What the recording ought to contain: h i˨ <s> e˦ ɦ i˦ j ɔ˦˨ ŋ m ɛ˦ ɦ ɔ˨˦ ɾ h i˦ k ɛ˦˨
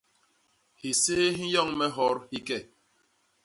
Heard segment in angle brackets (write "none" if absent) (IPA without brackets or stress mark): s